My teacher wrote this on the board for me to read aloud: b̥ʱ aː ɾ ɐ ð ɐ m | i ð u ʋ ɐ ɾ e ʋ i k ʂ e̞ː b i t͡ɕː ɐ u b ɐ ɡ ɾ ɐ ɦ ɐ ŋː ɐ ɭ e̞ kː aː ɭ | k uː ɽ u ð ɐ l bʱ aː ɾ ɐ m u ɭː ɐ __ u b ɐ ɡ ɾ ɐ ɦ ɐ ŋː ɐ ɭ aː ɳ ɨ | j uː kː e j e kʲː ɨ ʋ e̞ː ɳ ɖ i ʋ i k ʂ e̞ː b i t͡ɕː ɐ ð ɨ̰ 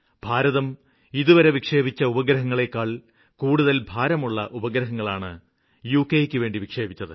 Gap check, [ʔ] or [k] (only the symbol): ʔ